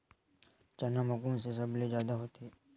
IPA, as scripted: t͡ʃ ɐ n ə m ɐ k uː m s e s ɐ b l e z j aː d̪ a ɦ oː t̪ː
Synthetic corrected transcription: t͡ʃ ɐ n a m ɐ k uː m s e s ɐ b l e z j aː d̪ a ɦ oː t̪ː